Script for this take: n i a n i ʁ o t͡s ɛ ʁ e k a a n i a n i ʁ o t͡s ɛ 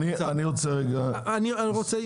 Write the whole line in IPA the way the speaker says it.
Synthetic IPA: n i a n i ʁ o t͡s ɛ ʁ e ɡ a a n i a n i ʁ o t͡s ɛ